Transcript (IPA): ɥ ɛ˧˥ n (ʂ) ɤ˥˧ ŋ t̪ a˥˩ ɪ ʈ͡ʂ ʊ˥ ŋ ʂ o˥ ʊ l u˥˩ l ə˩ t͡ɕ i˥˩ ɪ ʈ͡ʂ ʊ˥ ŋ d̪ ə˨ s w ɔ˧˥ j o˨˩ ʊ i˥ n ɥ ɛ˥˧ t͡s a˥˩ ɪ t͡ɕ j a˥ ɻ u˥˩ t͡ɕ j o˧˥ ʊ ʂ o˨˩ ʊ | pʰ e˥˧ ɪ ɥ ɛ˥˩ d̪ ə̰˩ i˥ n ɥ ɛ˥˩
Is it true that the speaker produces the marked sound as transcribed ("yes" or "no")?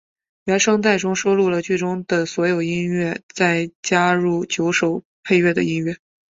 yes